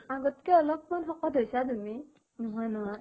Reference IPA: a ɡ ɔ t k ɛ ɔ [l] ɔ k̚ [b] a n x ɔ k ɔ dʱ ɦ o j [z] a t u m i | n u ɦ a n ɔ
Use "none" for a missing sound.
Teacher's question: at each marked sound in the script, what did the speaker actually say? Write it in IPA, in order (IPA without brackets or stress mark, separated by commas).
l, m, s